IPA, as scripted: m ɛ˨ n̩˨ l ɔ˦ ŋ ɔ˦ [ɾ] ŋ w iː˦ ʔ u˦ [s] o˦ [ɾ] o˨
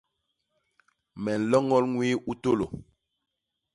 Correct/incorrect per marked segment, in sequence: incorrect: l, incorrect: t, incorrect: l

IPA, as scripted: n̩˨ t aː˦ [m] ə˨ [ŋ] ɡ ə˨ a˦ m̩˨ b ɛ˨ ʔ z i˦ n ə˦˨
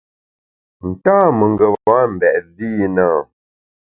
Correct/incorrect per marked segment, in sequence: correct, correct

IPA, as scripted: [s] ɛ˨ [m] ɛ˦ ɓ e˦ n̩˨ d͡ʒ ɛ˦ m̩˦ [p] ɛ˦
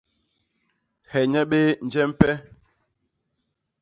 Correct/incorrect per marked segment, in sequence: incorrect: h, incorrect: ɲ, correct

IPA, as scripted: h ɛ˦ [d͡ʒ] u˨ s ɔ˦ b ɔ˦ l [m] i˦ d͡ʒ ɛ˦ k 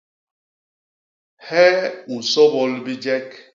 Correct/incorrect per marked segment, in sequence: incorrect: none, incorrect: b

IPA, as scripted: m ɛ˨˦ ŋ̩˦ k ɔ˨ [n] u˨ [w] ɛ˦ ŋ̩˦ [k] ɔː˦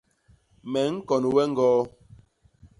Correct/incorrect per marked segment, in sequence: correct, correct, incorrect: ɡ

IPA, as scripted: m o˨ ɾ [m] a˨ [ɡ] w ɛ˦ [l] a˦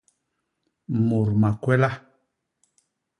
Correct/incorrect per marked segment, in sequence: correct, incorrect: k, correct

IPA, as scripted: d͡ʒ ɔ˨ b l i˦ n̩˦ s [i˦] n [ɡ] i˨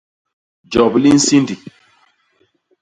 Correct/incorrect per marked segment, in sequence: correct, incorrect: d

